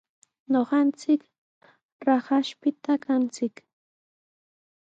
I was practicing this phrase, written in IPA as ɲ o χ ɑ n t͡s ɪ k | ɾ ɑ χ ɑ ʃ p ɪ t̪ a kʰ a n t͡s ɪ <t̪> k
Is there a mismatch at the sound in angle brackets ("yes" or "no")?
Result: yes